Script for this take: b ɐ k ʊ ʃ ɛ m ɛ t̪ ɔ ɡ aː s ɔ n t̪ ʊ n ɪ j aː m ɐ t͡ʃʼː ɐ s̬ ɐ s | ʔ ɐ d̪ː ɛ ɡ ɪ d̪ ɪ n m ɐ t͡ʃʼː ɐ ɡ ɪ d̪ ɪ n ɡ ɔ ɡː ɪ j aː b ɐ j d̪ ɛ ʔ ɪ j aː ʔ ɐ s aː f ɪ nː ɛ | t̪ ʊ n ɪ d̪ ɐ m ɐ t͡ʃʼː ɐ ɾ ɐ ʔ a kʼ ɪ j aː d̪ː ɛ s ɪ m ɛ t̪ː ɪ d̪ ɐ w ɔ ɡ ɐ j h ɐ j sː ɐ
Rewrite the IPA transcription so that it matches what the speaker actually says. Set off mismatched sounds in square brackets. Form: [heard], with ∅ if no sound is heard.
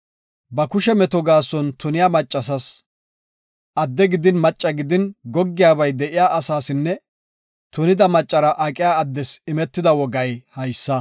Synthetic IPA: b ɐ k ʊ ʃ ɛ m ɛ t̪ ɔ ɡ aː s ɔ n t̪ ʊ n ɪ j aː m ɐ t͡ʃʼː ɐ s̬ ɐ s | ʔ ɐ d̪ː ɛ ɡ ɪ d̪ ɪ n m ɐ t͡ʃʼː ɐ ɡ ɪ d̪ ɪ n ɡ ɔ ɡː ɪ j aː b ɐ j d̪ ɛ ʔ ɪ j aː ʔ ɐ s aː [s] ɪ nː ɛ | t̪ ʊ n ɪ d̪ ɐ m ɐ t͡ʃʼː ɐ ɾ ɐ ʔ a kʼ ɪ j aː d̪ː ɛ s ɪ m ɛ t̪ː ɪ d̪ ɐ w ɔ ɡ ɐ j h ɐ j sː ɐ